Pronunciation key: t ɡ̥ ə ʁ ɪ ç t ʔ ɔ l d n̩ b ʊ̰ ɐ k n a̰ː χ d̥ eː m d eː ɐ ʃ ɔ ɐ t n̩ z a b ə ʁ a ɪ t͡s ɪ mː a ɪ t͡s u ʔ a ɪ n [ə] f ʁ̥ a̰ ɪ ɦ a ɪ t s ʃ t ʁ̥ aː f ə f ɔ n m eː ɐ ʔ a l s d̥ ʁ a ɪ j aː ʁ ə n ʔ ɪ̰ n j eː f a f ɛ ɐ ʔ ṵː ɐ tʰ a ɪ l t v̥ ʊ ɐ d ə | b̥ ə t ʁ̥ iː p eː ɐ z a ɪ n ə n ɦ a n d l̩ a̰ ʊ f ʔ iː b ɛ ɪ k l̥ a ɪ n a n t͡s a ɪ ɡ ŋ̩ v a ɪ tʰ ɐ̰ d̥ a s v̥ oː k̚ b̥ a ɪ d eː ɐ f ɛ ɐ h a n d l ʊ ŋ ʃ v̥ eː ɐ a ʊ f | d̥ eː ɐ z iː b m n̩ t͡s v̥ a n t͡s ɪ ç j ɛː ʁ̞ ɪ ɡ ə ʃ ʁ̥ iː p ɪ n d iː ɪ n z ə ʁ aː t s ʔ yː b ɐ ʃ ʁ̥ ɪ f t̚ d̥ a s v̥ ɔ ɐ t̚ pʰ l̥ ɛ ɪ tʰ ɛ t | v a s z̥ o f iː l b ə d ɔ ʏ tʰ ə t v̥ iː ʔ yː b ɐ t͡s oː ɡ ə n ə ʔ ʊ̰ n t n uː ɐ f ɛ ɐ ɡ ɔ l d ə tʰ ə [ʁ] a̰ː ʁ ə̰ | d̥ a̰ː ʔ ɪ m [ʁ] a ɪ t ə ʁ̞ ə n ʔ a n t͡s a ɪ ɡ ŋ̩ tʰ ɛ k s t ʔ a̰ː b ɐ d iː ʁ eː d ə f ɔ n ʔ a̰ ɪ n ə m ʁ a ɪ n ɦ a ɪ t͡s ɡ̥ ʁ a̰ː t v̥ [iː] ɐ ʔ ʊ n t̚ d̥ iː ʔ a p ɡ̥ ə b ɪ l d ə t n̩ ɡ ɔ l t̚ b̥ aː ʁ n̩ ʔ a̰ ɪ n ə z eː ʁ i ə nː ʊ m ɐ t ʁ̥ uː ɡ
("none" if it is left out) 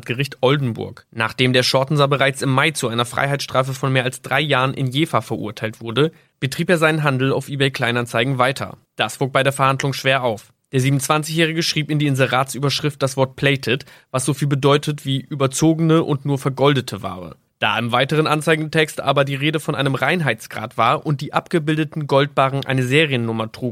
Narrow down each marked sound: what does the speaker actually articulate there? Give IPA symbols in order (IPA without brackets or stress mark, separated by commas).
ɐ, v, v, aː